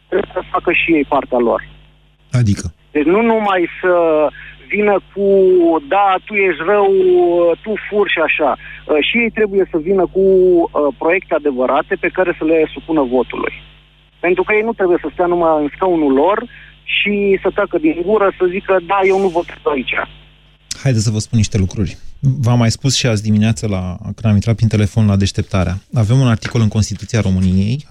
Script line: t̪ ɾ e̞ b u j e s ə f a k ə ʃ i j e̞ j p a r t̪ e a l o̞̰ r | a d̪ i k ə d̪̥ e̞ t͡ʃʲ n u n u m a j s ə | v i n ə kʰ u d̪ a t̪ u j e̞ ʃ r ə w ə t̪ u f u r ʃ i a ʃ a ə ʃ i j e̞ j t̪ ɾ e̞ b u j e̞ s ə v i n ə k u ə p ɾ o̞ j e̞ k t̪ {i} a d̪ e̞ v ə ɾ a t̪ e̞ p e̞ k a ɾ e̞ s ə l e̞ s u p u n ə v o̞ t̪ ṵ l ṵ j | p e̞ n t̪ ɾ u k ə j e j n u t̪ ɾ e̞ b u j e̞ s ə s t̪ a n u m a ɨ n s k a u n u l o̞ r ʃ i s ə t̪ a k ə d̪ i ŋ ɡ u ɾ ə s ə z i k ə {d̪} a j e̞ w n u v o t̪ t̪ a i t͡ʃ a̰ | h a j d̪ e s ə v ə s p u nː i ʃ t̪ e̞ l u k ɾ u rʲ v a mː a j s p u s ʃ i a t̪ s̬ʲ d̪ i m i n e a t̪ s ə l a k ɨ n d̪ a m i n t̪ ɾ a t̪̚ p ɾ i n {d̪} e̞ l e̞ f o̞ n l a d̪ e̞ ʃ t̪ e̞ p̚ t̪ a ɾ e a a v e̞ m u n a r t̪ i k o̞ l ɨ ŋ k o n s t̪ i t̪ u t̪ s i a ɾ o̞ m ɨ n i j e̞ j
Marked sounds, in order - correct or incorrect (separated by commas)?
incorrect, correct, incorrect